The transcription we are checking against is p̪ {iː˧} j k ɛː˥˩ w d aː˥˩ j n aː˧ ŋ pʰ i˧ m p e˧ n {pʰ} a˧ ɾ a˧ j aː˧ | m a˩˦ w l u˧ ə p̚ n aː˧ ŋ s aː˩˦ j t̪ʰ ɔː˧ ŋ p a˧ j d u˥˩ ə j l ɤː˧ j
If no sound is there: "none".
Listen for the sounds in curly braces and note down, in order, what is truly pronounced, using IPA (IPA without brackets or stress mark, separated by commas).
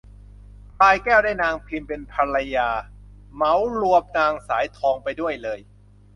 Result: aː˧, pʰ